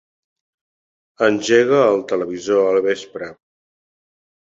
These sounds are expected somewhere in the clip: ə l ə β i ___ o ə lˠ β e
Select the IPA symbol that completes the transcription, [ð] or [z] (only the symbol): z